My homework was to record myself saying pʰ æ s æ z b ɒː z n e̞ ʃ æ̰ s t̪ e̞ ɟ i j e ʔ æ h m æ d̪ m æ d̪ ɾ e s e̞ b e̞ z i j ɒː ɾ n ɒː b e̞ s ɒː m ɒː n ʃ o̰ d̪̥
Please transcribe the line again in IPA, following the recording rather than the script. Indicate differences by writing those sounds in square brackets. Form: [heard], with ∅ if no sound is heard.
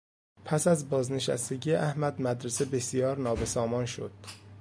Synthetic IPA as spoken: pʰ æ s æ z b ɒː z n e̞ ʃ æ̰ s t̪ e̞ ɟ i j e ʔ æ h m æ d̪ m æ d̪ ɾ e s e̞ b e̞ [s] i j ɒː ɾ n ɒː b e̞ s ɒː m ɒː n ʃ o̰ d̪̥